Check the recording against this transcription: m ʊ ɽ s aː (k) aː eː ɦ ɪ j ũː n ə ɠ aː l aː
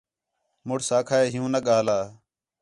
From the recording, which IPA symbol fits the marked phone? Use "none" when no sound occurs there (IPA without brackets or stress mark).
kʰ